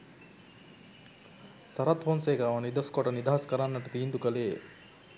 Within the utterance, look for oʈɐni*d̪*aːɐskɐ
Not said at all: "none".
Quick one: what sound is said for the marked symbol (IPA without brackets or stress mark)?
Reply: d̪